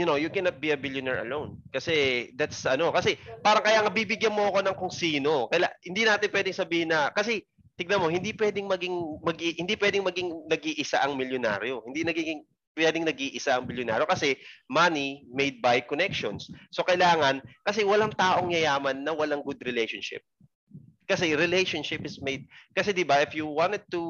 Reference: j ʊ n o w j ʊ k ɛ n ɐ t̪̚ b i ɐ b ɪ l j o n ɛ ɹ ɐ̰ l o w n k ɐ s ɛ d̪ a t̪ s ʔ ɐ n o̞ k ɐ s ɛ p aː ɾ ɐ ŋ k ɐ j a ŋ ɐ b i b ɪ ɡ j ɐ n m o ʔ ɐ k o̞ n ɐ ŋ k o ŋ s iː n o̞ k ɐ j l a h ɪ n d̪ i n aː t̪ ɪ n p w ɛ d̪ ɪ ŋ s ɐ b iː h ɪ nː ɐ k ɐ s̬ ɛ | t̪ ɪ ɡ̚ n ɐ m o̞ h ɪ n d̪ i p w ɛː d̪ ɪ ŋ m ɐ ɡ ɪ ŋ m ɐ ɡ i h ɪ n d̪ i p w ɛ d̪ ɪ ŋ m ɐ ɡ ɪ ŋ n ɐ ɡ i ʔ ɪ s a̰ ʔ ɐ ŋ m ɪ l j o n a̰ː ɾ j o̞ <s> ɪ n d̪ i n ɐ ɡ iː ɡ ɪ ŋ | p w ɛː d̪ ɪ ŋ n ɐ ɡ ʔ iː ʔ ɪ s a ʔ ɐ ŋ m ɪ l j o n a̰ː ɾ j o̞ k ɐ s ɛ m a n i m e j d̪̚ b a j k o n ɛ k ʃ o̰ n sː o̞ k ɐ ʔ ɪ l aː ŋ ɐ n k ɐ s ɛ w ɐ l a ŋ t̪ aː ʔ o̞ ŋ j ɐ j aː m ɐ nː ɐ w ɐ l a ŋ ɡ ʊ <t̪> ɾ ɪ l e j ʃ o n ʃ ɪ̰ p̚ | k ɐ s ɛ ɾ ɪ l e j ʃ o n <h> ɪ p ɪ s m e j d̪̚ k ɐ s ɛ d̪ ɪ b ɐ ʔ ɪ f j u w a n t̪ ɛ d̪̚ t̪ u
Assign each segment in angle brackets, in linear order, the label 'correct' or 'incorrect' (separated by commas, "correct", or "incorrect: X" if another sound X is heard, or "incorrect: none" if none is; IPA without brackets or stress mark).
incorrect: h, incorrect: d̪, incorrect: ʃ